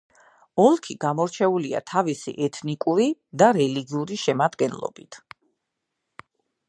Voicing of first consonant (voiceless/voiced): voiced